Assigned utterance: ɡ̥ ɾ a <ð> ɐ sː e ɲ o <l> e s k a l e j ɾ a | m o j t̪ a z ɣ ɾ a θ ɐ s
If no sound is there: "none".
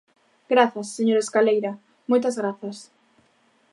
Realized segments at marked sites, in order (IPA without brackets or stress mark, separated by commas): θ, ɾ